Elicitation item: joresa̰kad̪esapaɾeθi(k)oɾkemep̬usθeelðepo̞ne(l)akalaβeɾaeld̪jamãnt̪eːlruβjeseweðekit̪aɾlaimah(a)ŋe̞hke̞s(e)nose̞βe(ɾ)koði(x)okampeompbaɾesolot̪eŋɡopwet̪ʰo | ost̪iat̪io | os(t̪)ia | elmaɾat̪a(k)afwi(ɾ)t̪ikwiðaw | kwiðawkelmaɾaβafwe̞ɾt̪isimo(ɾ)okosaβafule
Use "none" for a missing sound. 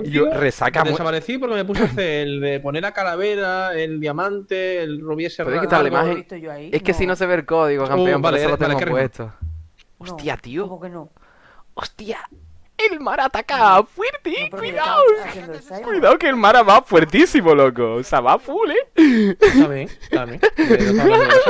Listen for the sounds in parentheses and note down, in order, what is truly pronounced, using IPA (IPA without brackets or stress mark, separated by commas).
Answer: p, ɾ, e, i, l, ɣ, t̪, k, ɾ, l